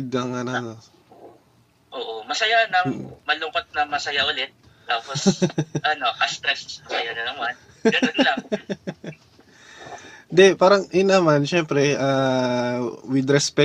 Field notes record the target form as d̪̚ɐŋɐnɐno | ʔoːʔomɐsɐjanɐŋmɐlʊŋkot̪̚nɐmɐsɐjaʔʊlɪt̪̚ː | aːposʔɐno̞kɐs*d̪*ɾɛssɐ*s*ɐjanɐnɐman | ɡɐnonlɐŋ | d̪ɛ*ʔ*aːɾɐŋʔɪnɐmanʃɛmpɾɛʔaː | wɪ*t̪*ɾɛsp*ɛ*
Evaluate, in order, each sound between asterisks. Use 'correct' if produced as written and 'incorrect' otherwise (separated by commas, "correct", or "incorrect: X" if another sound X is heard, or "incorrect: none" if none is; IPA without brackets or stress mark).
incorrect: t̪, correct, incorrect: p, incorrect: d̪, correct